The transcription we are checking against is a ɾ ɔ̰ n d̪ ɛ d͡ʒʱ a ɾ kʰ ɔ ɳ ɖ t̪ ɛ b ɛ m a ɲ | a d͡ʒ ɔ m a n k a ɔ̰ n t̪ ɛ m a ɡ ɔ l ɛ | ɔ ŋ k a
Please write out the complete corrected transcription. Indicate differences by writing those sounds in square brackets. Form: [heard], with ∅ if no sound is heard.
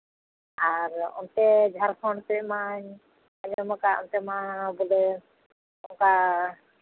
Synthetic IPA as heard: a ɾ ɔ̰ n [t̪] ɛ d͡ʒʱ a ɾ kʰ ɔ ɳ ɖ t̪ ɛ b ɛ m a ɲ | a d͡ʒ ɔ m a [∅] k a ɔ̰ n t̪ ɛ m a [b] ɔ l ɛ | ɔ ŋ k a